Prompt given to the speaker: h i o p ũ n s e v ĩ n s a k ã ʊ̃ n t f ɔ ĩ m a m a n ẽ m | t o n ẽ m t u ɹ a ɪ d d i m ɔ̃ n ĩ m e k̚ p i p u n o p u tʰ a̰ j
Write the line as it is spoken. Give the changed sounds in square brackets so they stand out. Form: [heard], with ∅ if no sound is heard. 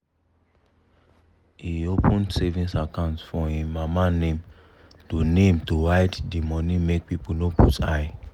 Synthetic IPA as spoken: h i o p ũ n s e v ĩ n s a k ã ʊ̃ n t f ɔ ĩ m a m a n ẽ m | t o n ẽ m t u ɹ a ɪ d d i m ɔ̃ n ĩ m e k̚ p i p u n o p u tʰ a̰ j